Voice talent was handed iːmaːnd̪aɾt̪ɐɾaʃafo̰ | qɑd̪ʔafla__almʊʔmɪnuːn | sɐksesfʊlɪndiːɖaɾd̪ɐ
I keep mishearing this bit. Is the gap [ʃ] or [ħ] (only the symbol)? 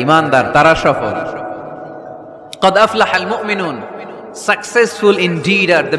ħ